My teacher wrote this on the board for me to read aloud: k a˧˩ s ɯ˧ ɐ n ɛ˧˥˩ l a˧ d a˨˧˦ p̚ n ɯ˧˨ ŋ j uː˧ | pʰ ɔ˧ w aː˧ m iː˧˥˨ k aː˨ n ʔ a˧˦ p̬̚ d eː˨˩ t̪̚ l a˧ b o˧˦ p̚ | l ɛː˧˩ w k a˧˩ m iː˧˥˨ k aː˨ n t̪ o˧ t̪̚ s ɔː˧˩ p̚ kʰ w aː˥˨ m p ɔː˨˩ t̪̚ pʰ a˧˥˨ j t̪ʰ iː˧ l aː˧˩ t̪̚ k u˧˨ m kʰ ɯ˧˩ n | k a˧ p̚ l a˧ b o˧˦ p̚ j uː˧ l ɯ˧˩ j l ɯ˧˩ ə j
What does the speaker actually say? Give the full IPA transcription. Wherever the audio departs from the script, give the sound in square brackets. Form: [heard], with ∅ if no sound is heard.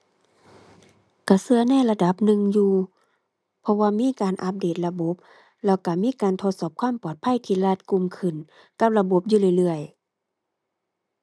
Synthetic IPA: k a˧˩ s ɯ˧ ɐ n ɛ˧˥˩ l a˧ d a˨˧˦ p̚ n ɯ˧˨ ŋ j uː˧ | pʰ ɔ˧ w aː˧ m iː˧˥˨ k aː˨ n ʔ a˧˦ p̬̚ d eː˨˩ t̪̚ l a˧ b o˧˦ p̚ | l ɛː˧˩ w k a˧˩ m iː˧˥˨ k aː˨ n [t̪ʰ] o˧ t̪̚ s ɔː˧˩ p̚ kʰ w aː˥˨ m p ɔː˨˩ t̪̚ pʰ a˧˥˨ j t̪ʰ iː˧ l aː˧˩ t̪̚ k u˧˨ m kʰ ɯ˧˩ n | k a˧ p̚ l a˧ b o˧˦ p̚ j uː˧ l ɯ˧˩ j l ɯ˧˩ ə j

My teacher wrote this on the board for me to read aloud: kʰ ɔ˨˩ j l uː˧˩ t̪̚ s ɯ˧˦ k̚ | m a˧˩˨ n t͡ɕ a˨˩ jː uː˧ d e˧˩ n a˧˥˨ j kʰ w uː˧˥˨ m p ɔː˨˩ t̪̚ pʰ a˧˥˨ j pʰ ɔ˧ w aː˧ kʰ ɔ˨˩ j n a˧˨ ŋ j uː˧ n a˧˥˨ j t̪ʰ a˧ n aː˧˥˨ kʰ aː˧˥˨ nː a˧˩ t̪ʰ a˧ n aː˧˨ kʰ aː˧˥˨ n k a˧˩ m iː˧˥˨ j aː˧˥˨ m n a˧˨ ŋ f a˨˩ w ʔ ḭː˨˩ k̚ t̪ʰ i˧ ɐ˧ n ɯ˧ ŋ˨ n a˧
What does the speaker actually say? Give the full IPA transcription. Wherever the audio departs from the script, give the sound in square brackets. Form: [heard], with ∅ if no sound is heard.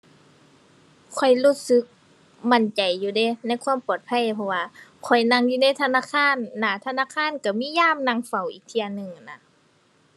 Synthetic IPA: kʰ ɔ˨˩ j l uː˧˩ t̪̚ s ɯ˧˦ k̚ | m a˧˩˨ n t͡ɕ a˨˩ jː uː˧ d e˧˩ n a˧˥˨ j kʰ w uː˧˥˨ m p ɔː˨˩ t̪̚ pʰ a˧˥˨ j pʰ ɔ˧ w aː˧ kʰ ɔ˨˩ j n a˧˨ ŋ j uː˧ n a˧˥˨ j t̪ʰ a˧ n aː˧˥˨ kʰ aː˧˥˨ nː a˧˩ t̪ʰ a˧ n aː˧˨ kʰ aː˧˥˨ n k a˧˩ m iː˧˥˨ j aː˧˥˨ m n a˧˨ ŋ f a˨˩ w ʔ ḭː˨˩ k̚ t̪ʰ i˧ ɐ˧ n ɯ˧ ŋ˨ n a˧

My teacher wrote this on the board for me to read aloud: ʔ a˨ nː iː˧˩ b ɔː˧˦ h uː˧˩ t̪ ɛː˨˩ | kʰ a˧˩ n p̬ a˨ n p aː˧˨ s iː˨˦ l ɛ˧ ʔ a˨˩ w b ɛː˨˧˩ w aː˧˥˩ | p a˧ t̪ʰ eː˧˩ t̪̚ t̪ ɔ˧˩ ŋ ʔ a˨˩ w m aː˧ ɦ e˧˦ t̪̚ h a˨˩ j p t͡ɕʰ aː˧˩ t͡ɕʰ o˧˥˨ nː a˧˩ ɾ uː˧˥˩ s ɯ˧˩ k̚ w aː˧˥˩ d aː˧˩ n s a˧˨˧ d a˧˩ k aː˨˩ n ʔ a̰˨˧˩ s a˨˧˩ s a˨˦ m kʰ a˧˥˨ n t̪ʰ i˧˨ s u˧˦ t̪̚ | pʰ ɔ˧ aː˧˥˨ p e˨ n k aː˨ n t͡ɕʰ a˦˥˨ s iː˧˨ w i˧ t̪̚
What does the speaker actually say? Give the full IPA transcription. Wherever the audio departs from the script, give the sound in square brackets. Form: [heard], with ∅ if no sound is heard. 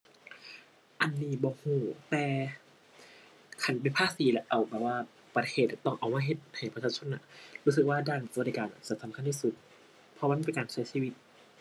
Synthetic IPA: ʔ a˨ nː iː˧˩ b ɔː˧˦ h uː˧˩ t̪ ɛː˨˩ | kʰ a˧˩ n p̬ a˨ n [pʰ] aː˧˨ s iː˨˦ l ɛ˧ ʔ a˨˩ w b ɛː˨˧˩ w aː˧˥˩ | p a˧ t̪ʰ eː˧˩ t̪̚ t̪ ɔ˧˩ ŋ ʔ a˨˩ w m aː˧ ɦ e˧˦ t̪̚ h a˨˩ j p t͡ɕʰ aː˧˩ t͡ɕʰ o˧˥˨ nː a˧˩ ɾ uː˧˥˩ s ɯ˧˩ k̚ w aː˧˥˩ d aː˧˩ n s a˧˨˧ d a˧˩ k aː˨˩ n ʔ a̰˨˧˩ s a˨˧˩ s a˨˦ m kʰ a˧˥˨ n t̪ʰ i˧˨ s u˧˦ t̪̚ | pʰ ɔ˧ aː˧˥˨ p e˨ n k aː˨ n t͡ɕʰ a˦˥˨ s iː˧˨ w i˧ t̪̚

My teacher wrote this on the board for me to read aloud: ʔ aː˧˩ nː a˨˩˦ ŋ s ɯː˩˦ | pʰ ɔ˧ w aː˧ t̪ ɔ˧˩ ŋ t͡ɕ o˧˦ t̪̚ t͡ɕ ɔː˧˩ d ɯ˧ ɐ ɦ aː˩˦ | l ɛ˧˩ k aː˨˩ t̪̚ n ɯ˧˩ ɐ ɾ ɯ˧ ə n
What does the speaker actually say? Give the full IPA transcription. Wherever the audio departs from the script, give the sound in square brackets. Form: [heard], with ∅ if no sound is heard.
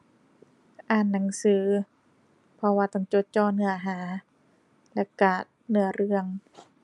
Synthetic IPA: ʔ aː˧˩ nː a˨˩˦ ŋ s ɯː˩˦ | pʰ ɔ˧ w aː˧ t̪ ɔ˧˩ ŋ t͡ɕ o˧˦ t̪̚ t͡ɕ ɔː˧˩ [n] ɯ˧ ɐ ɦ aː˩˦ | l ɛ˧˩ k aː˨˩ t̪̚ n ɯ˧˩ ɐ ɾ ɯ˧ ə [ŋ]

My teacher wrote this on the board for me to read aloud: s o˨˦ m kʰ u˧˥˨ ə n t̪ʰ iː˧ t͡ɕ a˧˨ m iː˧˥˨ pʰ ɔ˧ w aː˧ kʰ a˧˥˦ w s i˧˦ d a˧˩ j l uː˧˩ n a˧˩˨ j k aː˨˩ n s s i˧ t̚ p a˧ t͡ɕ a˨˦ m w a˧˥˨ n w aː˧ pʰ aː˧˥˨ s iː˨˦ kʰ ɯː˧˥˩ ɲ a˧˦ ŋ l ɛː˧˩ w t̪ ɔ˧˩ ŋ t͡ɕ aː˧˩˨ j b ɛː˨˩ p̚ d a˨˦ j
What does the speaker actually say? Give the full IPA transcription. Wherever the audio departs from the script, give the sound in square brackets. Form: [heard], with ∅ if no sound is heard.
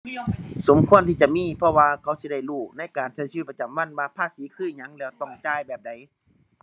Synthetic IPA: s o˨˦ m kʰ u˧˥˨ ə n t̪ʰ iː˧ t͡ɕ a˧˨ m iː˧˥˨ pʰ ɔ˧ w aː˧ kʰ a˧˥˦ w s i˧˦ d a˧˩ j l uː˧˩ n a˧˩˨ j k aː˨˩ n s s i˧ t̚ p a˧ t͡ɕ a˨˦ m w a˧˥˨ n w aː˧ pʰ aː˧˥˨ s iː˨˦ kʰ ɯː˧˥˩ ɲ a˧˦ ŋ l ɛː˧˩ w t̪ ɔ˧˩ ŋ t͡ɕ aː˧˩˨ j b ɛː˨˩ p̚ d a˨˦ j

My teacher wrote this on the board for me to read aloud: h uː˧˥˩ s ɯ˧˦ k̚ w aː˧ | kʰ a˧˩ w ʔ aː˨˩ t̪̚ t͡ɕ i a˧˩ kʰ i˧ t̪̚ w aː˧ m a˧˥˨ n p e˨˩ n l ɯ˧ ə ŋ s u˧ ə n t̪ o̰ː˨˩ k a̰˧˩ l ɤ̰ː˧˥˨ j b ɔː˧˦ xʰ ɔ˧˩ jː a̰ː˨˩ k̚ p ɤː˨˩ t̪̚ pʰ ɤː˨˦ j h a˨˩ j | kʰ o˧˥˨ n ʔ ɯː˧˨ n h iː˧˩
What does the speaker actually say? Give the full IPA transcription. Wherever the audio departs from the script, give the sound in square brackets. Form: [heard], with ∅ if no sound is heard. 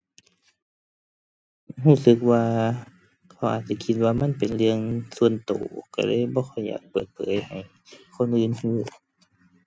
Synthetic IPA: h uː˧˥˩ s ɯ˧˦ k̚ w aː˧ | kʰ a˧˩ w ʔ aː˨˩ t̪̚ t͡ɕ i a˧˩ kʰ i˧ t̪̚ w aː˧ m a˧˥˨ n p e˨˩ n l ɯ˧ ə ŋ s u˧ ə n t̪ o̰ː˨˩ k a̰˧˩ l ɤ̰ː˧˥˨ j b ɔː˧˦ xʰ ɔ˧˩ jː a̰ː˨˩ k̚ p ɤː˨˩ t̪̚ pʰ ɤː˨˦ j h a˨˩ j | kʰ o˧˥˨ n ʔ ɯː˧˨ n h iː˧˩

